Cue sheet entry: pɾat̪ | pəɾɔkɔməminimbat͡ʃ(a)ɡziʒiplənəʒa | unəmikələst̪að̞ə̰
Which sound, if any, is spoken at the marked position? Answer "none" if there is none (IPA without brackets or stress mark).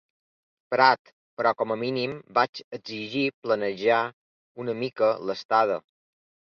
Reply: ə